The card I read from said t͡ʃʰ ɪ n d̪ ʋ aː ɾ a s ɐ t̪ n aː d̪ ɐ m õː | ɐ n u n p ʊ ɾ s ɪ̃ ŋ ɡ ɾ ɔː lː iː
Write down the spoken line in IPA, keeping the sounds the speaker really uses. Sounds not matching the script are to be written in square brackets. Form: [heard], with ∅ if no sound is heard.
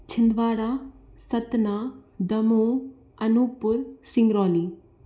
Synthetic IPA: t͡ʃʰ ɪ n d̪ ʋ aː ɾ a s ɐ t̪ n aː d̪ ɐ m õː | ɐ n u [∅] p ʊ ɾ s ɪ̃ ŋ ɡ ɾ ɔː [l] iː